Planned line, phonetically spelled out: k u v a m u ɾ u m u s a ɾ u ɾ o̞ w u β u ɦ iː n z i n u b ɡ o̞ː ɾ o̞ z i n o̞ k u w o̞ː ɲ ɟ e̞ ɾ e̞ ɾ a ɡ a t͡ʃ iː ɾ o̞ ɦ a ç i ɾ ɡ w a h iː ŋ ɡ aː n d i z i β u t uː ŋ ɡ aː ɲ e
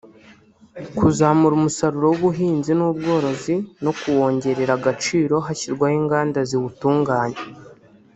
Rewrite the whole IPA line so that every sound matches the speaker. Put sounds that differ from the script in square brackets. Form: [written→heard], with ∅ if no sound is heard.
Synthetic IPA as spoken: k u [v→z] a m u ɾ u m u s a ɾ u ɾ o̞ w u β u ɦ iː n z i n u b ɡ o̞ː ɾ o̞ z i n o̞ k u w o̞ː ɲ ɟ e̞ ɾ e̞ ɾ a ɡ a t͡ʃ iː ɾ o̞ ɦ a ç i ɾ ɡ w a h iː ŋ ɡ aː n d [i→a] z i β u t uː ŋ ɡ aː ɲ e